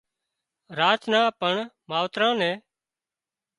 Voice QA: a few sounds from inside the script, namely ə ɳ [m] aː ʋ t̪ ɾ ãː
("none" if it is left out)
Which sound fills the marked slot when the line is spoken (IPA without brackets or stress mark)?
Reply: m